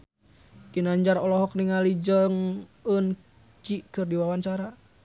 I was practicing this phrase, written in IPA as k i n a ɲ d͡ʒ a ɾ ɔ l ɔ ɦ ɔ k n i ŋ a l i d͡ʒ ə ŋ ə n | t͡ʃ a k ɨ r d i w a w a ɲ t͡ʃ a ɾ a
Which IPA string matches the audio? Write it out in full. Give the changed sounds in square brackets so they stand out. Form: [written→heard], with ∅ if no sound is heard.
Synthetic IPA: k i n a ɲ d͡ʒ a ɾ ɔ l ɔ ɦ ɔ k n i ŋ a l i d͡ʒ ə ŋ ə n | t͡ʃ [a→i] k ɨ r d i w a w a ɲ t͡ʃ a ɾ a

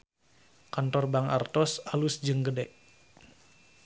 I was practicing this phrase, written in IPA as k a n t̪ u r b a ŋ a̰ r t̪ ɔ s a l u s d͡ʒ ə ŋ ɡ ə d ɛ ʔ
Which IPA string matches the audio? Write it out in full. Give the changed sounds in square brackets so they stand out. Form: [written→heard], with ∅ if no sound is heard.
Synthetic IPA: k a n t̪ [u→ɔ] r b a ŋ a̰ r t̪ ɔ s a l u s d͡ʒ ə ŋ ɡ ə d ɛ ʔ

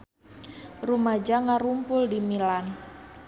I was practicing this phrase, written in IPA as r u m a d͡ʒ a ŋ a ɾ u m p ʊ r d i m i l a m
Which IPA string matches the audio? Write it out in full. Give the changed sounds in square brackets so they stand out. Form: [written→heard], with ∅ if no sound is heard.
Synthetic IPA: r u m a d͡ʒ a ŋ a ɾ u m p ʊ [r→l] d i m i l a [m→n]

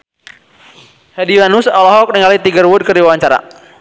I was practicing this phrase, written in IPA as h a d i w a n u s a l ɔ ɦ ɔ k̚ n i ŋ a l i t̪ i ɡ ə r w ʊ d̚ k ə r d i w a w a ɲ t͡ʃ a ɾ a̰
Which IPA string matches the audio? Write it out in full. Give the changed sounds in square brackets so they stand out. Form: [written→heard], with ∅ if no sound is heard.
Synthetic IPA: h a d i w a n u s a l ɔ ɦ ɔ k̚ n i ŋ a l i t̪ i ɡ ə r w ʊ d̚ k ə r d i w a w a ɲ t͡ʃ a ɾ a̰

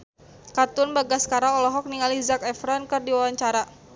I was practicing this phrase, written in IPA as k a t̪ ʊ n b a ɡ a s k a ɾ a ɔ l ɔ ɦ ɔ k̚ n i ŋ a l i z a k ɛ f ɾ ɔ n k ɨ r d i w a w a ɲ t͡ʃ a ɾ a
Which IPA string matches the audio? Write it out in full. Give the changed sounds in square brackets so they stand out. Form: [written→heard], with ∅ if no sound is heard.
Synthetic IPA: k a t̪ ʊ n b a ɡ a s k a ɾ a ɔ l ɔ ɦ ɔ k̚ n i ŋ a l i z a k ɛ f ɾ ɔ n k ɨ r d i w a w a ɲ t͡ʃ a ɾ a

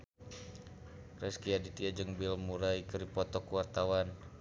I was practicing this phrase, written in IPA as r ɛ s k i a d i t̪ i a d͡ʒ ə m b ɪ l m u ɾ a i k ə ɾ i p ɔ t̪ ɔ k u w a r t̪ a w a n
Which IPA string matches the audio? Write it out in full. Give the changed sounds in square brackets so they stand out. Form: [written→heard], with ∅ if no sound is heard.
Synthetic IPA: r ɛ s k i a d i t̪ i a d͡ʒ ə [m→ŋ] b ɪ l m u ɾ a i k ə ɾ i p ɔ t̪ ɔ k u w a r t̪ a w a n

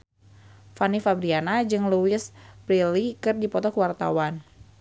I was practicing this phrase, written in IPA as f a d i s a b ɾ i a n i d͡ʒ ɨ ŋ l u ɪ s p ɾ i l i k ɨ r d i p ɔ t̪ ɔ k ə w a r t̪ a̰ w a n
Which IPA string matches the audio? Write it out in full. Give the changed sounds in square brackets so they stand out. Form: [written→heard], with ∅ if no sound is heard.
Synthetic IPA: f a [d→n] i [s→f] a b ɾ i a n [i→a] d͡ʒ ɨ ŋ l u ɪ s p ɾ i l i k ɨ r d i p ɔ t̪ ɔ k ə w a r t̪ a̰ w a n

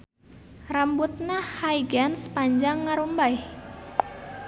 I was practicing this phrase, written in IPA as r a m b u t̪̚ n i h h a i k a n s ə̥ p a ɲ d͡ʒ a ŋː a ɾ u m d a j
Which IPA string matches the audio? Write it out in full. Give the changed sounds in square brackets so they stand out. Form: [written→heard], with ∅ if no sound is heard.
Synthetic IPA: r a m b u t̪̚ n [i→a] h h a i [k→ɡ] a n s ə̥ p a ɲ d͡ʒ a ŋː a ɾ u m [d→b] a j

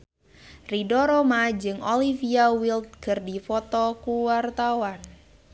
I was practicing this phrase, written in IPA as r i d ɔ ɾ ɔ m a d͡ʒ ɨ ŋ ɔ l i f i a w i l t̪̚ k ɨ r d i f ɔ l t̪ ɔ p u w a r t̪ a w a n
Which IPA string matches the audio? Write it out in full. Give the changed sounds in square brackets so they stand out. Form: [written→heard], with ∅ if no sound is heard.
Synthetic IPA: r i d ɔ ɾ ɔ m a d͡ʒ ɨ ŋ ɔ l i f i a w i l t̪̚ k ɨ r d i f ɔ [l→∅] t̪ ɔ [p→k] u w a r t̪ a w a n

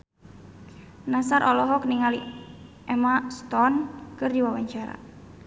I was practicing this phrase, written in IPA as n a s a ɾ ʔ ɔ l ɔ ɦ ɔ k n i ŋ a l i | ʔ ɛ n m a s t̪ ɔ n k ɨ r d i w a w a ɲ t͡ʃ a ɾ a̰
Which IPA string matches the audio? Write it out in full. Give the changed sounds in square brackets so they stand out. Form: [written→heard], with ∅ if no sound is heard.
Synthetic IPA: n a s a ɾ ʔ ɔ l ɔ ɦ ɔ k n i ŋ a l i | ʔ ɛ [n→∅] m a s t̪ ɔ n k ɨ r d i w a w a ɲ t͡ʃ a ɾ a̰

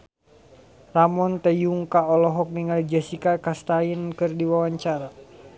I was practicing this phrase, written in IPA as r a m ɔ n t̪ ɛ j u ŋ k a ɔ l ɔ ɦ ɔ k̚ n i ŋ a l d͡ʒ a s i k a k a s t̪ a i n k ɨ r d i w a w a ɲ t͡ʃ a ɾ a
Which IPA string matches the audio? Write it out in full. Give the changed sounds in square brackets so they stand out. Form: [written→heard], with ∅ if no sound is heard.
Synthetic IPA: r a m ɔ n t̪ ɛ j u ŋ k a ɔ l ɔ ɦ ɔ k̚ n i ŋ a l d͡ʒ a s i k a k a s t̪ a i n k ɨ r d i w a w a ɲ t͡ʃ a ɾ a

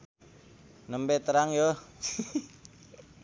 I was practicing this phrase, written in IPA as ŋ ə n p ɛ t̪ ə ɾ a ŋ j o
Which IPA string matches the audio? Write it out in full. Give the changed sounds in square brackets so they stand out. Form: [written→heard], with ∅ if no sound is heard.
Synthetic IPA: [ŋ→n] ə [n→m] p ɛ t̪ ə ɾ a ŋ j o

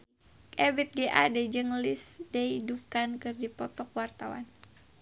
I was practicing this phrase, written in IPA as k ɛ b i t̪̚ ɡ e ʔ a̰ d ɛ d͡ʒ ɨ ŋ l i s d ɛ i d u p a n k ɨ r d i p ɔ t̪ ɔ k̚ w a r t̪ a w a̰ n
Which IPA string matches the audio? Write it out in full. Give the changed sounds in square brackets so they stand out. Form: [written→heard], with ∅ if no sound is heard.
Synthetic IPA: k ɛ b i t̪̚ ɡ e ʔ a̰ d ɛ d͡ʒ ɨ ŋ l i s d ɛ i d u [p→k] a n k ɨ r d i p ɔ t̪ ɔ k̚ w a r t̪ a w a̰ n

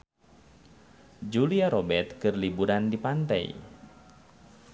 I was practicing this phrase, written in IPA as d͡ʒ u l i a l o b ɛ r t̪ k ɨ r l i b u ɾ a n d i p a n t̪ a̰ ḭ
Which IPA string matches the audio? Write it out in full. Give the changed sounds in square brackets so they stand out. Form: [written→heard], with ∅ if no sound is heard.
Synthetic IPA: d͡ʒ u l i a [l→ɾ] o b ɛ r t̪ k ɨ r l i b u ɾ a n d i p a n t̪ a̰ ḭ

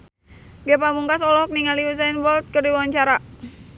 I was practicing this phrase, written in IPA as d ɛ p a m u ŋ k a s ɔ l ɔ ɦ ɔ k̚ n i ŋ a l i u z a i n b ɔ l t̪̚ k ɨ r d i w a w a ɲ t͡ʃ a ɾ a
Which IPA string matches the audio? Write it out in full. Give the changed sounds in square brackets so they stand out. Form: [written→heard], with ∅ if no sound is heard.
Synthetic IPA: [d→ɡ] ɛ p a m u ŋ k a s ɔ l ɔ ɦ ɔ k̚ n i ŋ a l i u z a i n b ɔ l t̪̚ k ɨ r d i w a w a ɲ t͡ʃ a ɾ a

